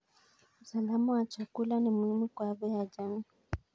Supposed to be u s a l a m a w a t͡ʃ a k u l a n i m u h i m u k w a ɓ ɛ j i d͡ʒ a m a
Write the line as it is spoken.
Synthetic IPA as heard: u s a l a m a w a t͡ʃ a k u l a n i m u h i m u k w a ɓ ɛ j a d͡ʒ a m i